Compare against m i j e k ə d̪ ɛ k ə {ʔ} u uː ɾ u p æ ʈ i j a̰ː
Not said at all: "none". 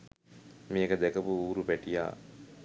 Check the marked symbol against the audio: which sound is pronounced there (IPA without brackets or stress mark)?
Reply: p